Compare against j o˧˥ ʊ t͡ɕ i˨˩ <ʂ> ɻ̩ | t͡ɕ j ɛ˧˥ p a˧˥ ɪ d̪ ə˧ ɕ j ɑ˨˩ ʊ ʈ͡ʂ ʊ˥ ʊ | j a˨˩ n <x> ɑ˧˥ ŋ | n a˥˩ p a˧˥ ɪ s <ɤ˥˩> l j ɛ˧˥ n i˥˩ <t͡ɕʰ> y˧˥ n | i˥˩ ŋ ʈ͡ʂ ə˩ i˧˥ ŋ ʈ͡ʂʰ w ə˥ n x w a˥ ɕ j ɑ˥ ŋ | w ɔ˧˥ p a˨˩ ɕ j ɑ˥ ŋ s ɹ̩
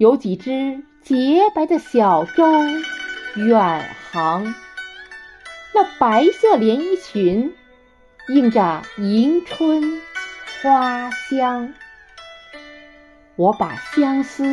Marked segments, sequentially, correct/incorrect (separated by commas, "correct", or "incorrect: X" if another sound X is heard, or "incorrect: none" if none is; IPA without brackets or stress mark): incorrect: ʈ͡ʂ, correct, correct, correct